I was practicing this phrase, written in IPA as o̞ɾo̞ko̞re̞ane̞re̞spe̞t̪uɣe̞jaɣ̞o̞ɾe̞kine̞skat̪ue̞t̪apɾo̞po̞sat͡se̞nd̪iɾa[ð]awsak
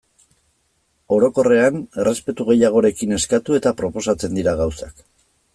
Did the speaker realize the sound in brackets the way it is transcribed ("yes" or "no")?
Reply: no